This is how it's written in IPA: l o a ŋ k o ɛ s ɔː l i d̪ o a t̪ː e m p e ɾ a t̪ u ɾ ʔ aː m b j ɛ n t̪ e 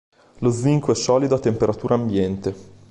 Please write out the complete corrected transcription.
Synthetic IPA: l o i ŋ k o ɛ s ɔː l i d̪ o a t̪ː e m p e ɾ a t̪ uː ɾ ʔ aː m b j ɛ n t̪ e